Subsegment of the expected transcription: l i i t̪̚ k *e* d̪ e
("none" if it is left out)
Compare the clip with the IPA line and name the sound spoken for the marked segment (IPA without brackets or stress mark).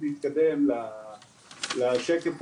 a